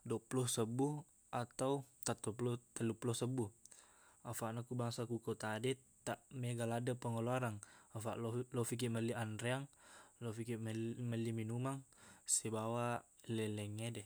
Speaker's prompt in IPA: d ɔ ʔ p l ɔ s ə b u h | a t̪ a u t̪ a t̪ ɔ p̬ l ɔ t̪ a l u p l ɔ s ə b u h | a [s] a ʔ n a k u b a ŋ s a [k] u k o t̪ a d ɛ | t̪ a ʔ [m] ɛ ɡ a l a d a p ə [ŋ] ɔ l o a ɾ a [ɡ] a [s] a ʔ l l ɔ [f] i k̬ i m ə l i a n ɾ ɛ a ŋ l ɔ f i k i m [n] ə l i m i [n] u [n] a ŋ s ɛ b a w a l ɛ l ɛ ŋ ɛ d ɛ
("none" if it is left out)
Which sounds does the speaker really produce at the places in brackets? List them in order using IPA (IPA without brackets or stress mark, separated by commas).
f, k, m, ŋ, ŋ, f, f, m, n, m